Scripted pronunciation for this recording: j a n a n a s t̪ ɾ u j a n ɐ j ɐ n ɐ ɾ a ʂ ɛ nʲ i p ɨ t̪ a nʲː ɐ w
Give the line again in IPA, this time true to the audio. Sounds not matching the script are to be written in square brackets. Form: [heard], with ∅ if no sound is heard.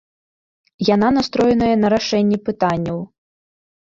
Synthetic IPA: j a n a n a s t̪ ɾ [ɔ] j [ɛ] n ɐ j ɐ n ɐ ɾ a ʂ ɛ [nʲː] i p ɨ t̪ a nʲː ɐ w